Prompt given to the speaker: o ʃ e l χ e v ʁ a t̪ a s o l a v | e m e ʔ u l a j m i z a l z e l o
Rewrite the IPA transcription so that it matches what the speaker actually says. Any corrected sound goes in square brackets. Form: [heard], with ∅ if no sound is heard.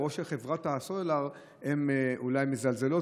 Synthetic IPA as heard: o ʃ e l χ e v ʁ a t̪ a s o l a [ʁ] | e m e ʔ u l a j m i z a l z e l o